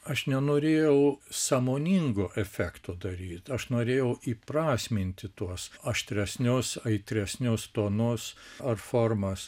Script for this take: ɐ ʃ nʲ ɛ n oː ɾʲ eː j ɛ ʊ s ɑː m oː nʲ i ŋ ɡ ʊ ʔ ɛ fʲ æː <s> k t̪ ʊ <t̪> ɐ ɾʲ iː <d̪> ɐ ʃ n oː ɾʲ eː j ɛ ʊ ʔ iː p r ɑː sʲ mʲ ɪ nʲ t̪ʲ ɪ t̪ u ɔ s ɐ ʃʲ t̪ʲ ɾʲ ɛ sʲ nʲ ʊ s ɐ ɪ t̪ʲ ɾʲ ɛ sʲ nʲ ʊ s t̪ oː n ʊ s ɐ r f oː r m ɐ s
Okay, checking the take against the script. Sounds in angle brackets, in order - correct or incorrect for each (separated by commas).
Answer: incorrect, incorrect, incorrect